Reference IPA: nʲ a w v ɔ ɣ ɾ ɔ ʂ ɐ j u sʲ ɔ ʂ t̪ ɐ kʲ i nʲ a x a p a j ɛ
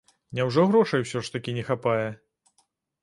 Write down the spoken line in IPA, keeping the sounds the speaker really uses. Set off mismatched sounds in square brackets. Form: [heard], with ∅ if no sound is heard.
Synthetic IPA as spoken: nʲ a w [ʐ] ɔ ɣ ɾ ɔ ʂ ɐ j [w] sʲ ɔ ʂ t̪ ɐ kʲ i nʲ [ɛ] x a p a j ɛ